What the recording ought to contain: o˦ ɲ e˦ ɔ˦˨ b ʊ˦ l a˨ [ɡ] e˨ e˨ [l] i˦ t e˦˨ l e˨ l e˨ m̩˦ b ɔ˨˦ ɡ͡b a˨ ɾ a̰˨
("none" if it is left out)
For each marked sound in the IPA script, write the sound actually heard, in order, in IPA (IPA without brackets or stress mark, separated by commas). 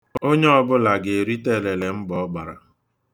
ɡ, ɾ